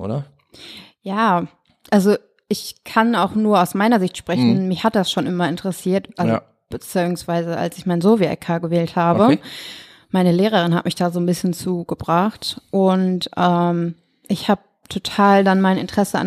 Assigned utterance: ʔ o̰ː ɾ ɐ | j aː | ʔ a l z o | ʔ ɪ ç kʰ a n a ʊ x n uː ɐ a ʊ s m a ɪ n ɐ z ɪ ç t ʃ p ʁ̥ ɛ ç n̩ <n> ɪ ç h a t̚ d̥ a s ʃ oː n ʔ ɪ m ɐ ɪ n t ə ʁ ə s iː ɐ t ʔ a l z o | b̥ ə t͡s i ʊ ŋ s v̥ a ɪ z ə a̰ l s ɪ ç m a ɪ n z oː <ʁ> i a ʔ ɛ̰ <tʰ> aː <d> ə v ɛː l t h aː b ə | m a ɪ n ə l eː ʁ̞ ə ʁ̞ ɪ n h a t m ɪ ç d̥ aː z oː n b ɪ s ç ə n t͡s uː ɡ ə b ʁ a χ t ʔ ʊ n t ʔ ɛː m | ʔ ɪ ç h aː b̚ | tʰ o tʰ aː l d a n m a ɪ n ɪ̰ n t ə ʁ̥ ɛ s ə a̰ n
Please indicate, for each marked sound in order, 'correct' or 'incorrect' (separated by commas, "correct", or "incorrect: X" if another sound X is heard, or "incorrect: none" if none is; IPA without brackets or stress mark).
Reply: incorrect: m, incorrect: v, incorrect: kʰ, incorrect: ɡ